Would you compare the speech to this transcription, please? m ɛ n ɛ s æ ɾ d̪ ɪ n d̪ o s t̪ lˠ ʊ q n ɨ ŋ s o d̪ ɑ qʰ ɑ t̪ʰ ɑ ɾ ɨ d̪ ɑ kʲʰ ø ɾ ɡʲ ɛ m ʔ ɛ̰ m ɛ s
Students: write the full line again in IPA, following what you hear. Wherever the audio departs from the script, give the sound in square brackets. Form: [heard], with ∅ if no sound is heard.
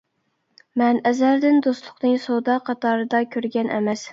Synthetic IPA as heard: m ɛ n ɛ [z] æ ɾ d̪ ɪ n d̪ o s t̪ lˠ ʊ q n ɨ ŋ s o d̪ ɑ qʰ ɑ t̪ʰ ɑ ɾ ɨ d̪ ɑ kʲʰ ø ɾ ɡʲ ɛ [n] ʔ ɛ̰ m ɛ s